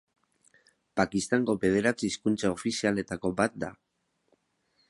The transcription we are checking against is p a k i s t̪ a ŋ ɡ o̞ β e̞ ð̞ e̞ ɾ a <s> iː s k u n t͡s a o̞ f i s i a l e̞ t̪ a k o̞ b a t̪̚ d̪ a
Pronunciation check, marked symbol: incorrect: t͡s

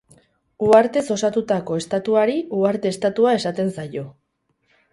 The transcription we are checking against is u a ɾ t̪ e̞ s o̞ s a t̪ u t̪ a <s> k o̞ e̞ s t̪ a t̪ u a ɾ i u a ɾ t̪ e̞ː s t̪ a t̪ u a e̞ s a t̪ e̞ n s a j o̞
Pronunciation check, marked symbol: incorrect: none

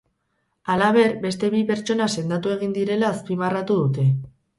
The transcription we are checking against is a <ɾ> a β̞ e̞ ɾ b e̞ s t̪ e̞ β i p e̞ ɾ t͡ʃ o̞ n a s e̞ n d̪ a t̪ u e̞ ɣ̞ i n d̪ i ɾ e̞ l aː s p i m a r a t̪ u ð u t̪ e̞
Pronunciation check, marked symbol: incorrect: l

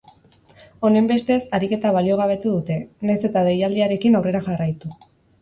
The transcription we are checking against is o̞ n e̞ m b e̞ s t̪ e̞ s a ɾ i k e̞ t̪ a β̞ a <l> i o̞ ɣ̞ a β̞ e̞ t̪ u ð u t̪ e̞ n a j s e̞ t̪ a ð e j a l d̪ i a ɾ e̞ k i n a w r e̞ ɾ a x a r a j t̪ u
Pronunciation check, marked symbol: correct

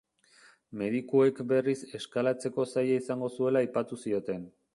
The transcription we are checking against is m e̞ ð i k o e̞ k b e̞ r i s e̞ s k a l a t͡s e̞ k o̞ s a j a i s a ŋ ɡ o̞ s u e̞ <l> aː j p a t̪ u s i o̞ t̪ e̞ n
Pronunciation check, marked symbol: correct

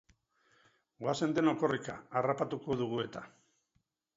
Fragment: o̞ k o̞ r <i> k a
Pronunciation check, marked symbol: correct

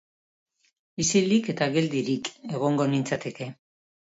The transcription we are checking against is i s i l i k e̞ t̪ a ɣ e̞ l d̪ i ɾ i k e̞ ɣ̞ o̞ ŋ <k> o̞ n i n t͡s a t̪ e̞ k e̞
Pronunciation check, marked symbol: incorrect: ɡ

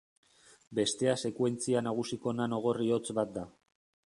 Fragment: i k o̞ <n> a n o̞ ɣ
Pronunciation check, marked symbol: correct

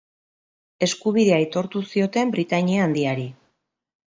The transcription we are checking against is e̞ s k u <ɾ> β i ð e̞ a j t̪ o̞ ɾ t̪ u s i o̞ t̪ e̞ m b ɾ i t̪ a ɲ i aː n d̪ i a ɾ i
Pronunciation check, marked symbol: incorrect: none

